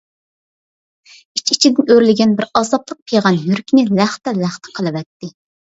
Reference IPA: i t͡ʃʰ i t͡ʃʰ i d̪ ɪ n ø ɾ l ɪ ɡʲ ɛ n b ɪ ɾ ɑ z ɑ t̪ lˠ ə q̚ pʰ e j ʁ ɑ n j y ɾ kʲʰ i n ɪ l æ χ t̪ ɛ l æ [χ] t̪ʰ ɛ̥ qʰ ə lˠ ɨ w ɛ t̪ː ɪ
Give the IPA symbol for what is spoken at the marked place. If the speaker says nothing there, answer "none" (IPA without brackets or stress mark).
χ